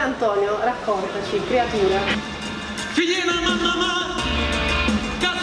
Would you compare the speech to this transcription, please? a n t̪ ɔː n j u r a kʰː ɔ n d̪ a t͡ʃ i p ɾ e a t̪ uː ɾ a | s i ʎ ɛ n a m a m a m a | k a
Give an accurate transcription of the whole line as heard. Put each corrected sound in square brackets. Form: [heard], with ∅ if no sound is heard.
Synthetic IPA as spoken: a n t̪ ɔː n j [o] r a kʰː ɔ n [t̪] a t͡ʃ i [k] ɾ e a t̪ uː ɾ a | [f] i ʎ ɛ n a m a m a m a | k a